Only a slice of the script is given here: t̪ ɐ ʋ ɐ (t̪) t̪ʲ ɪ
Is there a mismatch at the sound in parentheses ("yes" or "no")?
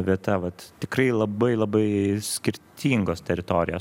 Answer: no